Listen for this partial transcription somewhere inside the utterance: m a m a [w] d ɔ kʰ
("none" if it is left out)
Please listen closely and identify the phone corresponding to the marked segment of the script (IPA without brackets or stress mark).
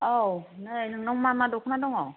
none